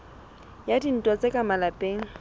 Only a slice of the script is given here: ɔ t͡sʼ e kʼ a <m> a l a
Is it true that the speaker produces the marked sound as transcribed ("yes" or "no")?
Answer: yes